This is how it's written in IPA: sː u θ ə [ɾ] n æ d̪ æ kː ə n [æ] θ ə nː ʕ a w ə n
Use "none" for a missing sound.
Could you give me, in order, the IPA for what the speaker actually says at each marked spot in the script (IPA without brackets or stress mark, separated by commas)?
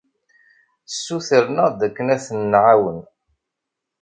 ɾ, æ